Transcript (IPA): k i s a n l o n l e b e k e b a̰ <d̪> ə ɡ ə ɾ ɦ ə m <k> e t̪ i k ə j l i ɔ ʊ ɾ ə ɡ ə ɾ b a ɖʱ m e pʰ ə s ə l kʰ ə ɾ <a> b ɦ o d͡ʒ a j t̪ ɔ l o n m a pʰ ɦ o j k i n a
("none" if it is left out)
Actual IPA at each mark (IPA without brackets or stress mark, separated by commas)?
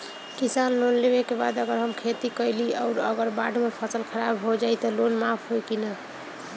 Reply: d̪, kʰ, a